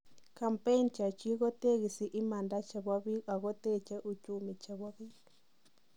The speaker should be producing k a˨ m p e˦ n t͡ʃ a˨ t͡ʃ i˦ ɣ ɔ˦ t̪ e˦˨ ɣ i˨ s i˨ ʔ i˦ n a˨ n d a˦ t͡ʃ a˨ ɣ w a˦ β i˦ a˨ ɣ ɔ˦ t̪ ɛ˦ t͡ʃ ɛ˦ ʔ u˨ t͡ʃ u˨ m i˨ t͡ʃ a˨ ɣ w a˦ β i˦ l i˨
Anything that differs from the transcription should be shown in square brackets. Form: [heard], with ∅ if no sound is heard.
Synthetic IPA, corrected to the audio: k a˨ m p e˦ n t͡ʃ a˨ t͡ʃ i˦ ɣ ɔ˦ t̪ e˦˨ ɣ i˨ s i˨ ʔ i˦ [m] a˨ n d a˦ t͡ʃ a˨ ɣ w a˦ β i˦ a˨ ɣ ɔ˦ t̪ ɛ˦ t͡ʃ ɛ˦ ʔ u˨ t͡ʃ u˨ m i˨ t͡ʃ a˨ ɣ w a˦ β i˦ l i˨